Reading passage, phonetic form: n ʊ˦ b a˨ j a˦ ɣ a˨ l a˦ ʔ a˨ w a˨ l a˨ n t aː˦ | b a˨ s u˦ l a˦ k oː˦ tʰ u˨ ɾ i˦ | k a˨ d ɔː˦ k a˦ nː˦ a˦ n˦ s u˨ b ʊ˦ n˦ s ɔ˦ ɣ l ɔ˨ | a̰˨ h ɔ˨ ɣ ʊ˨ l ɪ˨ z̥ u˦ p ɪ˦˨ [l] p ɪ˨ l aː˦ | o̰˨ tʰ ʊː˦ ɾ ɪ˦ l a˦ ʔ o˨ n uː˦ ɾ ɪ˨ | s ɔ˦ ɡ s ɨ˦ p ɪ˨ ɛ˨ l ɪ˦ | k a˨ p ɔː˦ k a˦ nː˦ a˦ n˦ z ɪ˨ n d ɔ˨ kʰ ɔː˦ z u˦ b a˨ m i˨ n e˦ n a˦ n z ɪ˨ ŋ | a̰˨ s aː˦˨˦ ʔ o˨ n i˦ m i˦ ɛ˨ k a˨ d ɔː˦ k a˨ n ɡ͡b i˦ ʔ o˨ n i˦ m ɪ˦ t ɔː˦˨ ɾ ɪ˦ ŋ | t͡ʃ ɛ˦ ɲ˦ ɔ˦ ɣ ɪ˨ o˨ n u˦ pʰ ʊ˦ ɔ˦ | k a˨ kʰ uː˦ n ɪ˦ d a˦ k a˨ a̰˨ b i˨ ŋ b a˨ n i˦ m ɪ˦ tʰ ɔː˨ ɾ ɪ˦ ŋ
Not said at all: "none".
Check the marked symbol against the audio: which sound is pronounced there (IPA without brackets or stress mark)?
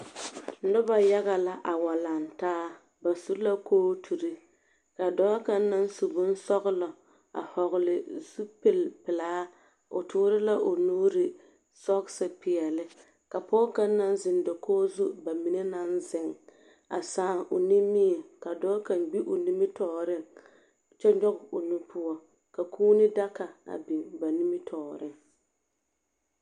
l